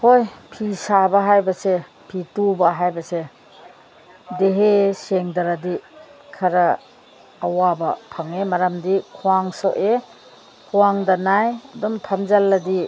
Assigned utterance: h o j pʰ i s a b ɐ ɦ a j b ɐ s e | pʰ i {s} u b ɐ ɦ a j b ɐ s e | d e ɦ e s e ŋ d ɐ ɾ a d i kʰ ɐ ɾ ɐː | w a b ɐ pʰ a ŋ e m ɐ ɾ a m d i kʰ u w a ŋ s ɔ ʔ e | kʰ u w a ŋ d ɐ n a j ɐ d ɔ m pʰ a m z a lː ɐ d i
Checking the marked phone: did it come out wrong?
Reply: yes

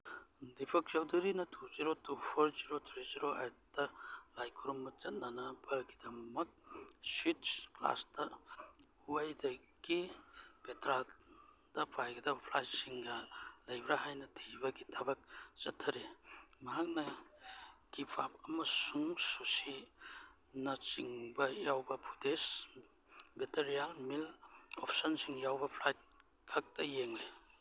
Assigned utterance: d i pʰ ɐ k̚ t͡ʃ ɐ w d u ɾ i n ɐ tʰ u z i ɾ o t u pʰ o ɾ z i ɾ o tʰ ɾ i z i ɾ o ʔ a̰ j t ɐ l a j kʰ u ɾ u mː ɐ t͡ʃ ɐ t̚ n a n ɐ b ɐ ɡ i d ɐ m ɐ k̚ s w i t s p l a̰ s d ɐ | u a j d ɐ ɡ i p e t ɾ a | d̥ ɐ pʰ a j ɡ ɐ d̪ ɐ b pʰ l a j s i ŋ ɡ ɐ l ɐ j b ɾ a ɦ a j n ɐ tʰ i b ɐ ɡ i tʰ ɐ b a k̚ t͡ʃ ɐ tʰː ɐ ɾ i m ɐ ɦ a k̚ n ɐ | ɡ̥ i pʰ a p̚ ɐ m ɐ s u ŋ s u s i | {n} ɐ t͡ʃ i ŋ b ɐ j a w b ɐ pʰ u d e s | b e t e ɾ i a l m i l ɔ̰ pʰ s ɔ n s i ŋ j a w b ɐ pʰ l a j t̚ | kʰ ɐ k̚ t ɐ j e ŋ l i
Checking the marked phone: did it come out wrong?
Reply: no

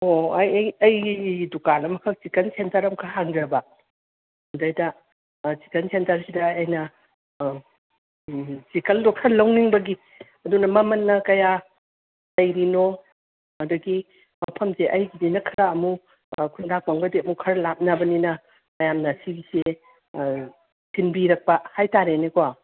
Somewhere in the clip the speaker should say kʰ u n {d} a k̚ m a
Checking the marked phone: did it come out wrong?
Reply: no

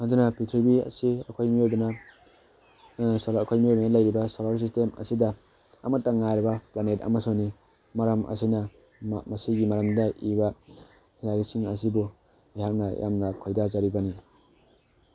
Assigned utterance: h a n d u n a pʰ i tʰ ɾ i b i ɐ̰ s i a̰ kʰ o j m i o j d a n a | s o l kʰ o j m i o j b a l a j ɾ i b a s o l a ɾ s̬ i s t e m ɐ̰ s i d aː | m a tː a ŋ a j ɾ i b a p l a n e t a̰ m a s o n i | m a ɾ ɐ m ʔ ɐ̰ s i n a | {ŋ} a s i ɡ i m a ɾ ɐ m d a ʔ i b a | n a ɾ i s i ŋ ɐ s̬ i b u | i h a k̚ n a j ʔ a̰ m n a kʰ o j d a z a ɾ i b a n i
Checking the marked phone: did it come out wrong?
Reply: yes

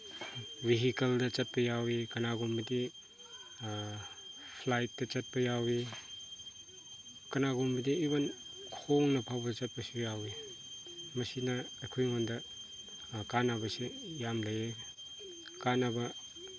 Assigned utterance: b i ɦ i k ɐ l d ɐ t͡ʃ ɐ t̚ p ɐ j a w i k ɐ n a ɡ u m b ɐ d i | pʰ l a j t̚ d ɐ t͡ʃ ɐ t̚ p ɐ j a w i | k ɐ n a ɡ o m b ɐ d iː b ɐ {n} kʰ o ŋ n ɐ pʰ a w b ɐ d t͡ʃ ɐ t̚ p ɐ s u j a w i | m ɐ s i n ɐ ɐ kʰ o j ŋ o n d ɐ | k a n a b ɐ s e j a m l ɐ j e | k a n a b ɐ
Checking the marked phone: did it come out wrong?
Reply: no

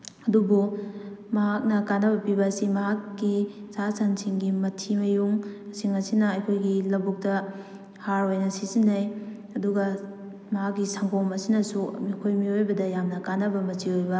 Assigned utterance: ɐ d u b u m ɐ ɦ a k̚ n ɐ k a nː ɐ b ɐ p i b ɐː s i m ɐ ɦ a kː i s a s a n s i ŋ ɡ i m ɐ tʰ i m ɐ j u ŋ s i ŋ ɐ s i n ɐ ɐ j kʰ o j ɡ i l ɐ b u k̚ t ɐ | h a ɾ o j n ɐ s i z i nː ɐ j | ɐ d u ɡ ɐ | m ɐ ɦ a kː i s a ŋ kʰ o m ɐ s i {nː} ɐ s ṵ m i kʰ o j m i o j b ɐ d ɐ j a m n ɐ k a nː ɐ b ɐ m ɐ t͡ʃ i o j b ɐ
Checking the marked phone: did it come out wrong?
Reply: yes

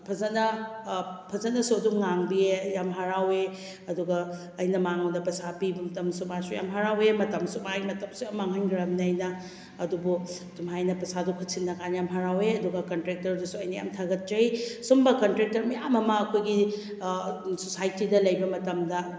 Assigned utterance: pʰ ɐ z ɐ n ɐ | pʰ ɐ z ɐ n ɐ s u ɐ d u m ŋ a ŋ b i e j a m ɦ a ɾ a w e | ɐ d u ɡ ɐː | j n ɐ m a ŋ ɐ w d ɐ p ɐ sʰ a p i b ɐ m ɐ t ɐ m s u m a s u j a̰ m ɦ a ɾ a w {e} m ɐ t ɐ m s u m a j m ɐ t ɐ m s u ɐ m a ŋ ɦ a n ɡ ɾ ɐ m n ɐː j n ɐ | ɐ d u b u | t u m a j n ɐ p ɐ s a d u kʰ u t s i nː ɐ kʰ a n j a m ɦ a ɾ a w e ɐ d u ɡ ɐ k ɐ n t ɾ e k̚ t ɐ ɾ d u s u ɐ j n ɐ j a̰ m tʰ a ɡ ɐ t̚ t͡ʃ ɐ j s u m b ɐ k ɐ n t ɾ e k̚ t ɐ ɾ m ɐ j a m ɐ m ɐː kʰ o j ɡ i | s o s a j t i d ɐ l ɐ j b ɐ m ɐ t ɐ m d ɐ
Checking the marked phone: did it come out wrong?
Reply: no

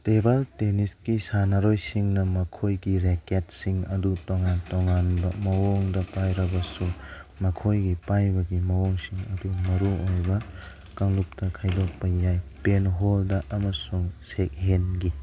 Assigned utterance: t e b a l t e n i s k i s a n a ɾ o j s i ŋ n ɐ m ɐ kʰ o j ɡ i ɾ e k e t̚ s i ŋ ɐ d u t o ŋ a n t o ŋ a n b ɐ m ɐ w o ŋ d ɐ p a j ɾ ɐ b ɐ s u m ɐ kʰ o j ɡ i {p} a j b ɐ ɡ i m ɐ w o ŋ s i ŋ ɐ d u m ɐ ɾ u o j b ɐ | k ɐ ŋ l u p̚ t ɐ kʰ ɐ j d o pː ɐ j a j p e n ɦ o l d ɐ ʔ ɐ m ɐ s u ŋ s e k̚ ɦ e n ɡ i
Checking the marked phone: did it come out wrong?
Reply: no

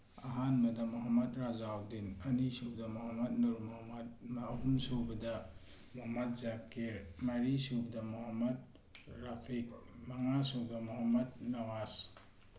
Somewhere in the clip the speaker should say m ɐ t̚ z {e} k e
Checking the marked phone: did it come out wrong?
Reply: yes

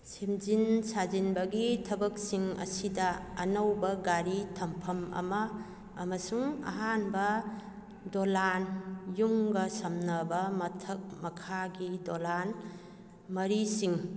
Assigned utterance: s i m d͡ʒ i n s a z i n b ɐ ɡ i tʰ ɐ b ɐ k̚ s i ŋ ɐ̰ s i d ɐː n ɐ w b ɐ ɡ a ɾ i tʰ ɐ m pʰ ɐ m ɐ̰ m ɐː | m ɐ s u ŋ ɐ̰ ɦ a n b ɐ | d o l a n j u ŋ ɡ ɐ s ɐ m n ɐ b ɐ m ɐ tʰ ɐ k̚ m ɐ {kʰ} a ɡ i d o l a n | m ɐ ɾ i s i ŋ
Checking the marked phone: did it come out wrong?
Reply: no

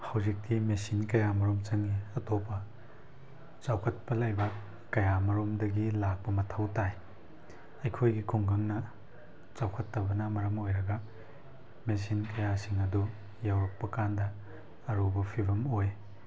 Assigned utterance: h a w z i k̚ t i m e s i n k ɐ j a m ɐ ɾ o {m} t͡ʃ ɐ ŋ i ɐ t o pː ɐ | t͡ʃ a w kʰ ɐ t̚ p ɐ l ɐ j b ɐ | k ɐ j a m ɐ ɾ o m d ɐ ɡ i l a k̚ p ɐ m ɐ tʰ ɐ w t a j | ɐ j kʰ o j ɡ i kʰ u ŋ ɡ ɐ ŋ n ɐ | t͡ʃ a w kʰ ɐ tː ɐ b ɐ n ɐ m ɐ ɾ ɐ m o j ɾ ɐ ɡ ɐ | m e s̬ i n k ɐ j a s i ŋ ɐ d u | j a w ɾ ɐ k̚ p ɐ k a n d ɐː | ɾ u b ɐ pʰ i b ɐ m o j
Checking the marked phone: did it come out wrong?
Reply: no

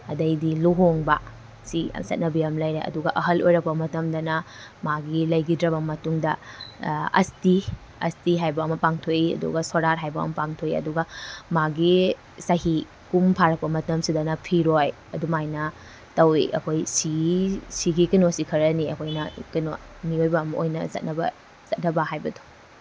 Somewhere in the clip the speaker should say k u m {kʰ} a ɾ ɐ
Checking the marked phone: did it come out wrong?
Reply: yes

